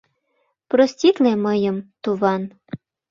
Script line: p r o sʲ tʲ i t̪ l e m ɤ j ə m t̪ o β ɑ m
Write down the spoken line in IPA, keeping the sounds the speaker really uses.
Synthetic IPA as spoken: p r o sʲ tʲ i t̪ l e m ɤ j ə m t̪ u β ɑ n